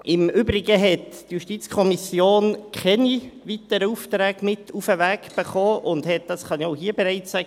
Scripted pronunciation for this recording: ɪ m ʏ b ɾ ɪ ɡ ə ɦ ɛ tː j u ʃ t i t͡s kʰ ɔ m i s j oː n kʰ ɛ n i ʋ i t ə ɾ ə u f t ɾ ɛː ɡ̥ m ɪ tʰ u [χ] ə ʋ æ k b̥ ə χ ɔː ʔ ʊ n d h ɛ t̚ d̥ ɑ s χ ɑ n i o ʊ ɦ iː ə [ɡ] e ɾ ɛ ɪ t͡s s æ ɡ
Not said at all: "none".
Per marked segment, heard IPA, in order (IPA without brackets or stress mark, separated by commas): f, b